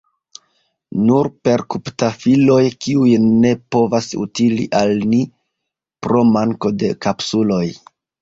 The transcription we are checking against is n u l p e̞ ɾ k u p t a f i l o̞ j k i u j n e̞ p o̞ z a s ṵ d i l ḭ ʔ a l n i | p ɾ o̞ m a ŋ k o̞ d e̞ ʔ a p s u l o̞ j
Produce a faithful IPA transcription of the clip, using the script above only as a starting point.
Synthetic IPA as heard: n u ɾ p e̞ ɾ k u p t a f i l o̞ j k i u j n e̞ p o̞ v a s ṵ t i l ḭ ʔ a l n i | p ɾ o̞ m a ŋ k o̞ d e̞ k a p s u l o̞ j